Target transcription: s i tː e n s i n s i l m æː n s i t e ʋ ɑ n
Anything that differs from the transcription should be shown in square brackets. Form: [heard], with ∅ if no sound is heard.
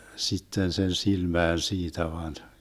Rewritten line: s i tː e n s [e] n s i l m æː n s [iː] t [æ] ʋ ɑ n